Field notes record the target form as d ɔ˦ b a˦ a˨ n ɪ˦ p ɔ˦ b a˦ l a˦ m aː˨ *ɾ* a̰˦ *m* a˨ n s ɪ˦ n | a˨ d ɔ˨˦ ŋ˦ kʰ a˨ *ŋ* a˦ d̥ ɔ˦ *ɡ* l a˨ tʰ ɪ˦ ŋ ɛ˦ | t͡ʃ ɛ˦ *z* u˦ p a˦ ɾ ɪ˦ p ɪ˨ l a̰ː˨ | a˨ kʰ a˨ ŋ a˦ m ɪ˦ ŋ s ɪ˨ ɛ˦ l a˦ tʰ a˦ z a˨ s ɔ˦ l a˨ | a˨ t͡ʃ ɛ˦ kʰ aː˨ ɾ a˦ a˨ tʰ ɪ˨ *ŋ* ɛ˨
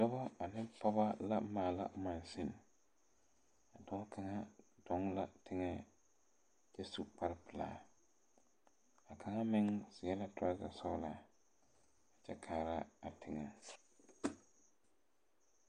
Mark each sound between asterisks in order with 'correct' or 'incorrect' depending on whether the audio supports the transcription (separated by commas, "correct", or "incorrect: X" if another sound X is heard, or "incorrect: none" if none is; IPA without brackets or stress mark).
incorrect: l, correct, correct, incorrect: ŋ, incorrect: s, correct